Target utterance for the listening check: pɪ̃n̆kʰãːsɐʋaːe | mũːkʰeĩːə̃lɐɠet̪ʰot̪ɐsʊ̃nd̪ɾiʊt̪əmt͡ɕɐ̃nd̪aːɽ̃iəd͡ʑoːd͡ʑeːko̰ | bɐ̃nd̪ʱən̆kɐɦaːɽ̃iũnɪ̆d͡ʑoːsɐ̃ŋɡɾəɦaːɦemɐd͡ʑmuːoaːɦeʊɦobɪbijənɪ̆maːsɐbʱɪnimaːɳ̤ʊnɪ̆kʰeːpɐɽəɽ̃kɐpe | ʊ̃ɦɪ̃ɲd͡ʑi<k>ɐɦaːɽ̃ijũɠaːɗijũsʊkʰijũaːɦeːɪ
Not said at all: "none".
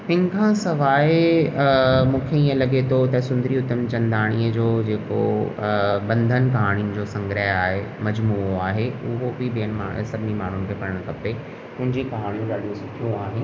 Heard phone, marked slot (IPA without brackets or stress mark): k